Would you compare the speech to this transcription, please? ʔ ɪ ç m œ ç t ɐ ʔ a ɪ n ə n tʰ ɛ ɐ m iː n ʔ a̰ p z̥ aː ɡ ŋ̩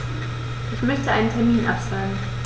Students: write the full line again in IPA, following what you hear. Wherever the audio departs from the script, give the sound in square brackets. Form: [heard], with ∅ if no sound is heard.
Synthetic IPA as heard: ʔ ɪ ç m œ ç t [ə] ʔ a ɪ n ə n tʰ ɛ ɐ m iː n ʔ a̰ p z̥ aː ɡ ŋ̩